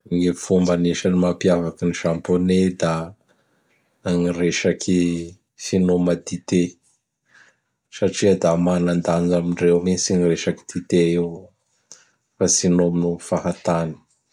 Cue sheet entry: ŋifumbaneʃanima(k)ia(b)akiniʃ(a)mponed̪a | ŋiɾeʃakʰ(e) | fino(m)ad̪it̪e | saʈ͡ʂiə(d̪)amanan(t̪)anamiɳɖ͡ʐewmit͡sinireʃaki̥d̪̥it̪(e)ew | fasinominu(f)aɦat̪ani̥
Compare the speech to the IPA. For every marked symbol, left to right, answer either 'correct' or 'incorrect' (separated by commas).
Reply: incorrect, incorrect, correct, incorrect, correct, correct, incorrect, correct, correct